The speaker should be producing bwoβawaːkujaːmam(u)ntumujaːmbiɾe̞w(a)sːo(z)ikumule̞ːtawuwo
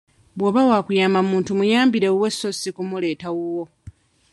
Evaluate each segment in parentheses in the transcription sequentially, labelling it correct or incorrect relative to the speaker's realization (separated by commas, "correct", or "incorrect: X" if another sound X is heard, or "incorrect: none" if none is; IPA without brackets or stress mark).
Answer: incorrect: uː, incorrect: e, incorrect: s